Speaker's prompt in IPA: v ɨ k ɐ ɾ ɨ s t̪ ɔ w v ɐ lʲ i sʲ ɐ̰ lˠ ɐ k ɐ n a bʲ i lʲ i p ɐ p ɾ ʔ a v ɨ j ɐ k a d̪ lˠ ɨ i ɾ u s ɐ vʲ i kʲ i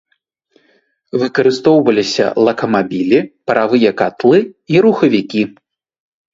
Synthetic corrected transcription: v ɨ k ɐ ɾ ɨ s t̪ ɔ w v ɐ lʲ i sʲ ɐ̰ lˠ ɐ k ɐ m a bʲ i lʲ i p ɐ ɾ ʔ a v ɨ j ɐ k a t̪ lˠ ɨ i ɾ u x ɐ vʲ i kʲ i